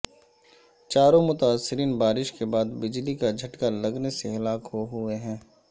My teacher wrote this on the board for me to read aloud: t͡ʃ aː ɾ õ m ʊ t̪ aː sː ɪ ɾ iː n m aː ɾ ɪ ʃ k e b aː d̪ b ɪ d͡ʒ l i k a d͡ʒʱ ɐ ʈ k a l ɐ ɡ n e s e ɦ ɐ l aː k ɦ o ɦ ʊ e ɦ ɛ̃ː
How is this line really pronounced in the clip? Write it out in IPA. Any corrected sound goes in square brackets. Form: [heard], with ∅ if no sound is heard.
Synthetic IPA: t͡ʃ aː ɾ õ m ʊ t̪ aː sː ɪ ɾ iː n [b] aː ɾ ɪ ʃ k e b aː d̪ b ɪ d͡ʒ l i k a d͡ʒʱ ɐ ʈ k a l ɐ ɡ n e s e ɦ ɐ l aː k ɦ o ɦ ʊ e ɦ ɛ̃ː